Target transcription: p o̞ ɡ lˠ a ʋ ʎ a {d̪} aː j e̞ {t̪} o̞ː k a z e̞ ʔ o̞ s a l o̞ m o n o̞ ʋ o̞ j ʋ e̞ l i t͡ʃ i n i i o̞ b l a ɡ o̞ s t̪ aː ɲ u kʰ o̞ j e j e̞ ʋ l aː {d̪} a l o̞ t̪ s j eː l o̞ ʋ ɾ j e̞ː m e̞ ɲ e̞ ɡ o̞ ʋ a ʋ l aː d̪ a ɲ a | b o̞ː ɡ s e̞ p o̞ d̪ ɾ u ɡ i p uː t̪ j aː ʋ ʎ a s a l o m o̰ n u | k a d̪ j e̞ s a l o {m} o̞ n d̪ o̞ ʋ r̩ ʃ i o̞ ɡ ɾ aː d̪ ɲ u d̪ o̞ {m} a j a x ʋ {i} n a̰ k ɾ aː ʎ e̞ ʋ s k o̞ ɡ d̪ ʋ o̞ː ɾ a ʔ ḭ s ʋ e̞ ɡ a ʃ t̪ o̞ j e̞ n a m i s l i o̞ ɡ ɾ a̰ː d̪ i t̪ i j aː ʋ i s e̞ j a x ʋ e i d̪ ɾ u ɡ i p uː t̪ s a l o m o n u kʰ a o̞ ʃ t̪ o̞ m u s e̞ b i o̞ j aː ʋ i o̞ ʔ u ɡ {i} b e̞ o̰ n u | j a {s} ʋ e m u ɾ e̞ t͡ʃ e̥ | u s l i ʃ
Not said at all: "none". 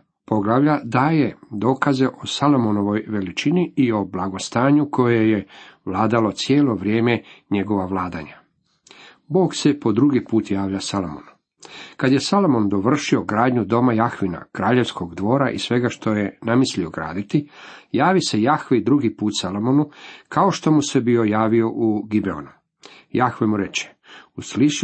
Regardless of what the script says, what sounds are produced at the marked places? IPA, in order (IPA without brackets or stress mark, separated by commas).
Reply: d̪, d̪, d̪, m, m, i, i, x